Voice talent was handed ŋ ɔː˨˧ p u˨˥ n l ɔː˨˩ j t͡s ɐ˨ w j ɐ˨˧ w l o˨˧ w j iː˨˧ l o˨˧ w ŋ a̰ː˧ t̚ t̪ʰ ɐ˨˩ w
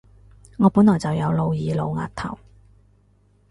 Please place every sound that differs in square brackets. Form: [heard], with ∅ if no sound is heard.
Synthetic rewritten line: ŋ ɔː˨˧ p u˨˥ n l ɔː˨˩ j t͡s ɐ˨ w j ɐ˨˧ w l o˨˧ w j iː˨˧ l o˨˧ w ŋ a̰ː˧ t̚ t̪ʰ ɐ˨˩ w